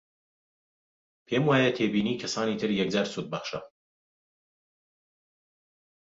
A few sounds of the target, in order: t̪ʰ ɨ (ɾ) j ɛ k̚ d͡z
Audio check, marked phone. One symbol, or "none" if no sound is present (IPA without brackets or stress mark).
ɾ